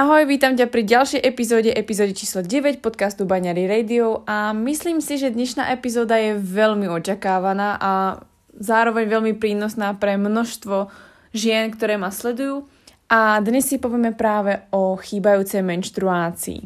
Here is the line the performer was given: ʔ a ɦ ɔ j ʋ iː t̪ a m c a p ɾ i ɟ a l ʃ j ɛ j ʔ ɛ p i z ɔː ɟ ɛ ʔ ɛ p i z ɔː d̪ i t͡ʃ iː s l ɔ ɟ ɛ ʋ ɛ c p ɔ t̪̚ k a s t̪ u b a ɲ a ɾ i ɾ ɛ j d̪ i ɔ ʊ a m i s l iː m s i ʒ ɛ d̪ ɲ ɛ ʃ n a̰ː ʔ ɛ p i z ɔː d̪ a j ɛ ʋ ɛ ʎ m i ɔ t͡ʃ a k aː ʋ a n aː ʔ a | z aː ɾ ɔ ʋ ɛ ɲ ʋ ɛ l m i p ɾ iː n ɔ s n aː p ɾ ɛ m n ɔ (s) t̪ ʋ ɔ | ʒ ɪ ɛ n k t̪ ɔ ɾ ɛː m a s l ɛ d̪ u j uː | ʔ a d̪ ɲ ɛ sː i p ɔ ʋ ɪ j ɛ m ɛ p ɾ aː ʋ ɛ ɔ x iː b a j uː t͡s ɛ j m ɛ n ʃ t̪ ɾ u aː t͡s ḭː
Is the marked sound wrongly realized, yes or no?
yes